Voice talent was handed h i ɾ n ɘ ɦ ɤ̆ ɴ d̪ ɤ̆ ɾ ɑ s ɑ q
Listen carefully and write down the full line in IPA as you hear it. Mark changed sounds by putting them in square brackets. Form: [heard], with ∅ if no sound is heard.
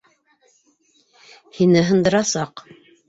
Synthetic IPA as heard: h i [∅] n ɘ ɦ ɤ̆ [n] d̪ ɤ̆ ɾ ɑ s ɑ q

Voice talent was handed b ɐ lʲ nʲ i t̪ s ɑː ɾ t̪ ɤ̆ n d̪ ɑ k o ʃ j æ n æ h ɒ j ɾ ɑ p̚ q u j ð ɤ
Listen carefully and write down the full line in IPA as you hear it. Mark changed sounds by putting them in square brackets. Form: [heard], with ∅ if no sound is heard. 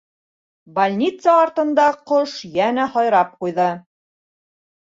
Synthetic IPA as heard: b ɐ lʲ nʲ i t̪ s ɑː ɾ t̪ ɤ̆ n d̪ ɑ [q] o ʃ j æ n æ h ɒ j ɾ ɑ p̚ q u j ð ɤ

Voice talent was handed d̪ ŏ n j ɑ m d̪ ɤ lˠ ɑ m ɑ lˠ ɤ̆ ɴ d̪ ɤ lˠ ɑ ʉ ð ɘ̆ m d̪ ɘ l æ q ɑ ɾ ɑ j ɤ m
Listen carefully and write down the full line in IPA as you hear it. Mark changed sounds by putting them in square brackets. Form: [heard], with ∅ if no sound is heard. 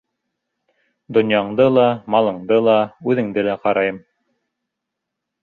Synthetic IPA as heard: d̪ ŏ n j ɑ [ɴ] d̪ ɤ lˠ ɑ m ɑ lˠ ɤ̆ ɴ d̪ ɤ lˠ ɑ ʉ ð ɘ̆ [ŋ] d̪ ɘ l æ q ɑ ɾ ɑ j ɤ m

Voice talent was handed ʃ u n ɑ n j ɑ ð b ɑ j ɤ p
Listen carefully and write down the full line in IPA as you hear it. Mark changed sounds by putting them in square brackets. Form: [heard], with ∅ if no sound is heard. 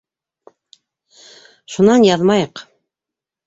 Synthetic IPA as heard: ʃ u n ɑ n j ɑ ð [m] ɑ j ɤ [q]

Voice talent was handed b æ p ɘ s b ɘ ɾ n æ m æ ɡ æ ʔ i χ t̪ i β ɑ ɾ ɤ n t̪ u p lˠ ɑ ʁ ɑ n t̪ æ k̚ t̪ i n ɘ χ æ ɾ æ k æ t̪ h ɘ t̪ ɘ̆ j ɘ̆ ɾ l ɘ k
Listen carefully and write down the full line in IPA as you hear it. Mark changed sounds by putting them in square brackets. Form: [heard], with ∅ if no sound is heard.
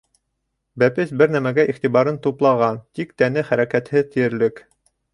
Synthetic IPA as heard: b æ p ɘ s b ɘ ɾ n æ m æ ɡ æ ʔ i χ t̪ i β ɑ ɾ ɤ n t̪ u p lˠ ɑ ʁ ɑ n t̪ [i] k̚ t̪ [æ] n ɘ χ æ ɾ æ k æ t̪ h ɘ t̪ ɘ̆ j ɘ̆ ɾ l ɘ k

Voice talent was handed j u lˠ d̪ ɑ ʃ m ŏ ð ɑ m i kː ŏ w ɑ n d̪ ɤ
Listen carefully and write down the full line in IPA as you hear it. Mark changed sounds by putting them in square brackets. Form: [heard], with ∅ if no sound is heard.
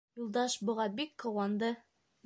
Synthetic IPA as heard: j u lˠ d̪ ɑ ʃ [b] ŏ [ʁ] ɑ [b] i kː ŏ w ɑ n d̪ ɤ

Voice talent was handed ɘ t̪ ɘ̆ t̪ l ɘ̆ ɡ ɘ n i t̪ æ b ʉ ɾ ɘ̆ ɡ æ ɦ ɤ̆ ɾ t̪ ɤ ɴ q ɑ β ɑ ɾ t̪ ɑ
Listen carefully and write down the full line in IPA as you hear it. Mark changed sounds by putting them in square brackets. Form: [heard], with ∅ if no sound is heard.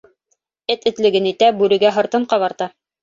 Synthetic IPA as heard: ɘ t̪ ɘ̆ t̪ l ɘ̆ ɡ ɘ n i t̪ æ b ʉ ɾ ɘ̆ ɡ æ ɦ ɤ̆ ɾ t̪ ɤ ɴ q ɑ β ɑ ɾ t̪ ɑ

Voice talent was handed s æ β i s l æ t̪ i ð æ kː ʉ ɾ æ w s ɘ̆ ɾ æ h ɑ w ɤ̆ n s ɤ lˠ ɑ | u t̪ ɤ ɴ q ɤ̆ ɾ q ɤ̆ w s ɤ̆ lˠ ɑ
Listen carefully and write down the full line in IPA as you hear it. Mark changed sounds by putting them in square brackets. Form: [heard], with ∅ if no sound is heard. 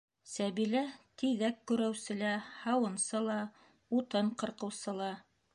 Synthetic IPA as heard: s æ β i [∅] l æ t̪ i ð æ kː ʉ ɾ æ w s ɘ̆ [l] æ h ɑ w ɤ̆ n s ɤ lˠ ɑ | u t̪ ɤ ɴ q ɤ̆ ɾ q ɤ̆ w s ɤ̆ lˠ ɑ

